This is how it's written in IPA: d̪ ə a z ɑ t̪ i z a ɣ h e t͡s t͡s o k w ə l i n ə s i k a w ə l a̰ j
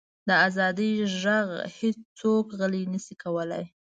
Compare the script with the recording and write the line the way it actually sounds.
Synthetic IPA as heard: d̪ ə a z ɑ d̪ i ʒ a ɣ h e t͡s t͡s o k ɣ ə l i n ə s i k a w ə l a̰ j